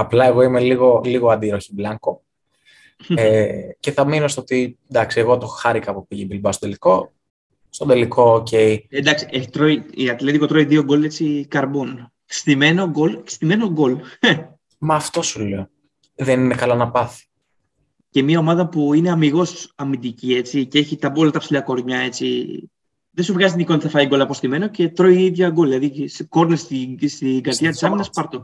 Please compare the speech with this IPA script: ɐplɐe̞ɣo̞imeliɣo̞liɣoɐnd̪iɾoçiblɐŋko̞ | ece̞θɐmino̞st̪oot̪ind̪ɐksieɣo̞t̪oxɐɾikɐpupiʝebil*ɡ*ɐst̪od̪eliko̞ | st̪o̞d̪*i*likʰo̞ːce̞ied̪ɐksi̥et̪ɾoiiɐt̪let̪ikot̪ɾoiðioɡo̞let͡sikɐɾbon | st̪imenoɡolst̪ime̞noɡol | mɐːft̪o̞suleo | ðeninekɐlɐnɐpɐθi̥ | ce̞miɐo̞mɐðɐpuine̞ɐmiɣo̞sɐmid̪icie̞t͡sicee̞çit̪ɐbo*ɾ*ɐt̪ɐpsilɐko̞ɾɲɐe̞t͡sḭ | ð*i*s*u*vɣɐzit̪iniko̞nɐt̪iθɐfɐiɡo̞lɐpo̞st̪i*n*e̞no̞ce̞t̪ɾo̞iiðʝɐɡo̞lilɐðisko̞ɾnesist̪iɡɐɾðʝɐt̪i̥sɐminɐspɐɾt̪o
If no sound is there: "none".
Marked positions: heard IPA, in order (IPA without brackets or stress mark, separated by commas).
b, e, l, e, u, m